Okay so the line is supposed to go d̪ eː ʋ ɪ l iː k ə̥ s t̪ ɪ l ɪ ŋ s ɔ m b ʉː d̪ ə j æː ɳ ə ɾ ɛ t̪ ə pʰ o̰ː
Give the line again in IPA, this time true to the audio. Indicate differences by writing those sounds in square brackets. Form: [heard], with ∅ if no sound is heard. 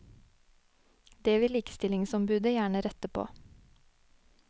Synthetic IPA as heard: d̪ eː ʋ ɪ l iː k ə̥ s t̪ ɪ l ɪ ŋ s ɔ m b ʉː d̪ ə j æː ɳ ə ɾ ɛ t̪ ə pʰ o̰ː